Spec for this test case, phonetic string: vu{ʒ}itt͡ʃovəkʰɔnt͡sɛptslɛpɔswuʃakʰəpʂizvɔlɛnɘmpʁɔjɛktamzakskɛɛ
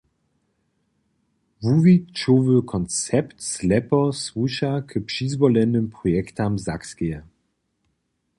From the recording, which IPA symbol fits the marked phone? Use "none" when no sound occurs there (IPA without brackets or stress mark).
v